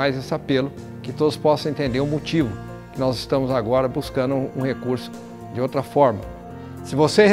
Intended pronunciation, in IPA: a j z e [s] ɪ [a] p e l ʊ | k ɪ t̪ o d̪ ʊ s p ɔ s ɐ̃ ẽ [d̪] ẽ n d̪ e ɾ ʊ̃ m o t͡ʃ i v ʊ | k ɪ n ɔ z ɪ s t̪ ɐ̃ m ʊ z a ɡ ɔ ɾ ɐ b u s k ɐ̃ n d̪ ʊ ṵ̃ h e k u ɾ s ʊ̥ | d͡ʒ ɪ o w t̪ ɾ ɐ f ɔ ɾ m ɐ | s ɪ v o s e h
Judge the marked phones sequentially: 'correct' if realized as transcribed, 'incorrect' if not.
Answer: correct, correct, incorrect

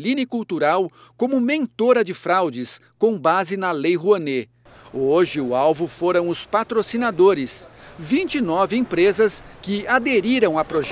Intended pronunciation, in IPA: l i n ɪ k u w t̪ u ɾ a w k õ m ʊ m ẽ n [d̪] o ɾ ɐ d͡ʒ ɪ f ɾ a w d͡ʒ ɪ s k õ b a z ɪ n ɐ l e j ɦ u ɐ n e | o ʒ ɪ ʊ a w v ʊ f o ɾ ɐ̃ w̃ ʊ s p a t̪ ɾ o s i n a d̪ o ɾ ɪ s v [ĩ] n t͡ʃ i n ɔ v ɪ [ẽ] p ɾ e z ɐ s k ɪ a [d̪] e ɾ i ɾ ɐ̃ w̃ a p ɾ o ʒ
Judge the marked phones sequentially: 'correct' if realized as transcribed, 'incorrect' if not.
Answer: incorrect, correct, correct, correct

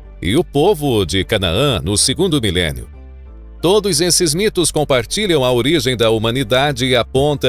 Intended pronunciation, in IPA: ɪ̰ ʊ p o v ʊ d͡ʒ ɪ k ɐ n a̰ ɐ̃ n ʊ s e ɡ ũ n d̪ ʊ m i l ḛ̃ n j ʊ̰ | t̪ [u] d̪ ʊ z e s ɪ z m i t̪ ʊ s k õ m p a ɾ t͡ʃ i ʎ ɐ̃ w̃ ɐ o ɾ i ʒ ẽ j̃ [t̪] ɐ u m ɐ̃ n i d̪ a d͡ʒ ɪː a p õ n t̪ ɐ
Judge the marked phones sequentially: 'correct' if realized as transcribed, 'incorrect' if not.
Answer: incorrect, incorrect

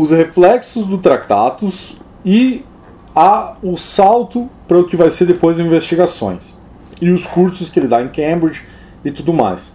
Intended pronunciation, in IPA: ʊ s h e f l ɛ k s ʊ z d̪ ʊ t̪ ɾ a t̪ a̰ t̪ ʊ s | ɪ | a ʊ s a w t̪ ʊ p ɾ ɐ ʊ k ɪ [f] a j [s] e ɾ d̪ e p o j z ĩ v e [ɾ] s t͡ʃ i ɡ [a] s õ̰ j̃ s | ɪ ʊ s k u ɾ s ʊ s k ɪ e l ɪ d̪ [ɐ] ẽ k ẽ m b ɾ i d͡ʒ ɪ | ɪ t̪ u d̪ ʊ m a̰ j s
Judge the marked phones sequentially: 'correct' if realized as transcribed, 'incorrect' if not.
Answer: incorrect, correct, incorrect, correct, incorrect

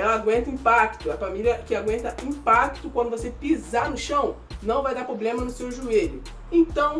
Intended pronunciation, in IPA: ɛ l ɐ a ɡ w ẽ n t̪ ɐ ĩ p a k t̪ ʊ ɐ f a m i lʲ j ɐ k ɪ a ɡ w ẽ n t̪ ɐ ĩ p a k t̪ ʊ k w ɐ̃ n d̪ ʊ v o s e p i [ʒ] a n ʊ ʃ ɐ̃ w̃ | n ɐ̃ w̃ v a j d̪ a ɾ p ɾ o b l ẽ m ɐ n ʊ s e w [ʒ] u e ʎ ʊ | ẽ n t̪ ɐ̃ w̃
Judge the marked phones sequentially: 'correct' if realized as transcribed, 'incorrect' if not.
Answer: incorrect, correct

